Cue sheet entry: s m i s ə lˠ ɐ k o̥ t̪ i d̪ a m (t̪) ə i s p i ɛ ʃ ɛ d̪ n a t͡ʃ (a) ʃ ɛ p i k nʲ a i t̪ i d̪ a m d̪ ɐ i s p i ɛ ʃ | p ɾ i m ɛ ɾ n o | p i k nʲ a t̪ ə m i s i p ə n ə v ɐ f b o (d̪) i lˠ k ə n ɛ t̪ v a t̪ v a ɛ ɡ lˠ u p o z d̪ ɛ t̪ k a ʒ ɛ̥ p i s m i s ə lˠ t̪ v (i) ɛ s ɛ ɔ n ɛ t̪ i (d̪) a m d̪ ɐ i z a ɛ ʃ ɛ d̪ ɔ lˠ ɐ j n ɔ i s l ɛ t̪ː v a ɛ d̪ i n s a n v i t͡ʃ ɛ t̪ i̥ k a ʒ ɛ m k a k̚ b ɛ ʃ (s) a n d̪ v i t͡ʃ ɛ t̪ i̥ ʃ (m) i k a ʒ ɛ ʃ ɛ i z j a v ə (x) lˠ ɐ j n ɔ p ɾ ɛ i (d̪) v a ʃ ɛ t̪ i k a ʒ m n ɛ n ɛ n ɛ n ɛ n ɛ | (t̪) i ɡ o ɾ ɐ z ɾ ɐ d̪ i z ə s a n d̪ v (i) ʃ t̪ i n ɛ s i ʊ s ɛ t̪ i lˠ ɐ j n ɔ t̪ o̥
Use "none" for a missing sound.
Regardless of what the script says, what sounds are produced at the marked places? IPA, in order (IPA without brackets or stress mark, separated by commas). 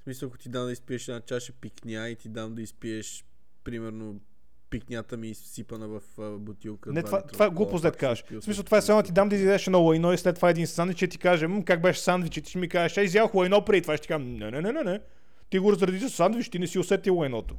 d̪, a, t̪, a, d̪, s, m, x, t̪, t̪, i